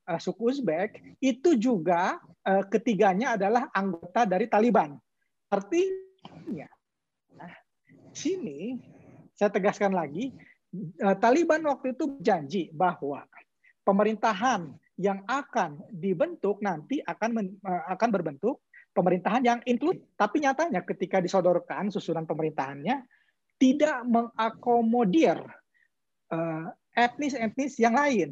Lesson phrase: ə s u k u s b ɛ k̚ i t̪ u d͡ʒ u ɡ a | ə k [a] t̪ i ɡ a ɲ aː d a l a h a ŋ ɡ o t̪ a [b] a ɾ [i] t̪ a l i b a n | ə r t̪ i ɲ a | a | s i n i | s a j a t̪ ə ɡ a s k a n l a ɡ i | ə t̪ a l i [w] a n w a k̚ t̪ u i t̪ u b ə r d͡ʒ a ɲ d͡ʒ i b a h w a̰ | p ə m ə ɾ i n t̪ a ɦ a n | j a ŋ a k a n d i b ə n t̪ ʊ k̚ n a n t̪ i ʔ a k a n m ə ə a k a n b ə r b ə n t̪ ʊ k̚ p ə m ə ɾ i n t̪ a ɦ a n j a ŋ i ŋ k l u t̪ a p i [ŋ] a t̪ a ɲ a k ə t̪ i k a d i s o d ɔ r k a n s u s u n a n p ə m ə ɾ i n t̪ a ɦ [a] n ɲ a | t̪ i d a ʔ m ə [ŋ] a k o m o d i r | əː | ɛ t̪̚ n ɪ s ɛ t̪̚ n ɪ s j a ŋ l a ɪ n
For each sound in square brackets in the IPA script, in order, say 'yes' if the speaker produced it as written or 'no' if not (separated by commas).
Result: no, no, yes, no, no, yes, yes